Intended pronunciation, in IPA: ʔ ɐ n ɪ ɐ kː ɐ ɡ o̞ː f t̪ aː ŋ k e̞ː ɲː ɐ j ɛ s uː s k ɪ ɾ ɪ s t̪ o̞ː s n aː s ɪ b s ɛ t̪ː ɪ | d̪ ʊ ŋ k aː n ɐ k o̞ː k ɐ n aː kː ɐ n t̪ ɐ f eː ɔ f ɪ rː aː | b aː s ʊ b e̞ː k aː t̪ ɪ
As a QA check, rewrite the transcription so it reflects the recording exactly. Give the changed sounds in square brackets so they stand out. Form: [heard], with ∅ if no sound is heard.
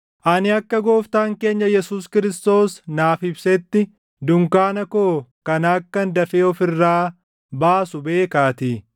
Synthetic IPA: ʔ ɐ n ɪ ɐ kː ɐ ɡ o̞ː f t̪ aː ŋ k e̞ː ɲː ɐ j ɛ s uː s k ɪ ɾ ɪ s t̪ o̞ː s n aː [f] ɪ b s ɛ t̪ː ɪ | d̪ ʊ ŋ k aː n ɐ k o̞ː k ɐ n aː kː ɐ n [d̪] ɐ f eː ɔ f ɪ rː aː | b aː s ʊ b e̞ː k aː t̪ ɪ